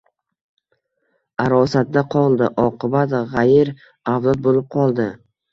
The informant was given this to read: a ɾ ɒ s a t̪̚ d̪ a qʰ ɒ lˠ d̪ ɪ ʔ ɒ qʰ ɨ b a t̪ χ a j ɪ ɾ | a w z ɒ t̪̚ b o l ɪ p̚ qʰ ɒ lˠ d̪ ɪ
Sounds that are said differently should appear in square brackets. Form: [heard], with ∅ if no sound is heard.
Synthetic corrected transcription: a ɾ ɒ s a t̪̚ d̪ a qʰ ɒ lˠ d̪ ɪ ʔ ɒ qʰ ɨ b a t̪ [ʁ] a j ɪ ɾ | a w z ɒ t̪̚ b o l ɪ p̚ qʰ ɒ lˠ d̪ ɪ